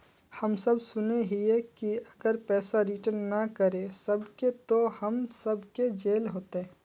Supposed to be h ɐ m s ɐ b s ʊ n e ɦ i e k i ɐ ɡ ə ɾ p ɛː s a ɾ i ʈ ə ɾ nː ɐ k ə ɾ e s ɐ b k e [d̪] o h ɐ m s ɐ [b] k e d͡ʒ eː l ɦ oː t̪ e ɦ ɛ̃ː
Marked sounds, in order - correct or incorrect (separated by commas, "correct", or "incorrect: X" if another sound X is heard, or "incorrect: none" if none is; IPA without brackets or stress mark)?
incorrect: t̪, correct